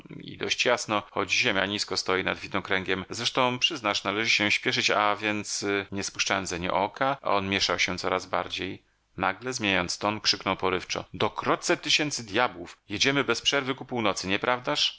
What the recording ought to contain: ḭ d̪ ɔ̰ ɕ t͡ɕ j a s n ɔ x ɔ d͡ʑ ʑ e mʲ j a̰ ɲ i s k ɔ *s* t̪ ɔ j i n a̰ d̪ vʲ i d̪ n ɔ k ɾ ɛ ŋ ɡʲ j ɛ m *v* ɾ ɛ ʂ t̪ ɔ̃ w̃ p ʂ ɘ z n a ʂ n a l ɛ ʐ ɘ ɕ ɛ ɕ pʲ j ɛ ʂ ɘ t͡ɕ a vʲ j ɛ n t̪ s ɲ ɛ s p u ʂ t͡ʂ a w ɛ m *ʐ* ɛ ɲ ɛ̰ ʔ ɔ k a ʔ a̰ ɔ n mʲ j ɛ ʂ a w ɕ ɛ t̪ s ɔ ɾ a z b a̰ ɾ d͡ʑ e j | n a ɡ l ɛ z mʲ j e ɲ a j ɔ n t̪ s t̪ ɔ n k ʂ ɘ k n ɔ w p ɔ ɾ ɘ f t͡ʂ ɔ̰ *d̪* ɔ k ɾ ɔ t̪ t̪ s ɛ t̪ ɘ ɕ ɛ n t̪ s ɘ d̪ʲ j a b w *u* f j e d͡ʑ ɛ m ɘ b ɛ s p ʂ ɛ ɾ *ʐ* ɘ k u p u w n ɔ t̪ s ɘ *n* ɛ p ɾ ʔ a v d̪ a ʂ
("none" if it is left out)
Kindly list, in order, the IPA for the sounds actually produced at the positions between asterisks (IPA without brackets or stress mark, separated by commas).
s, z, z, d̪, u, v, ɲ